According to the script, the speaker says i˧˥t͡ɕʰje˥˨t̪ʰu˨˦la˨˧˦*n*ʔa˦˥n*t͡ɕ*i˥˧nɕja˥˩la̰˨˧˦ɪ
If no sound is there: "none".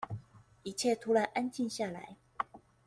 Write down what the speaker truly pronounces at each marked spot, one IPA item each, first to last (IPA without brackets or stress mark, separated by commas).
n, t͡ɕ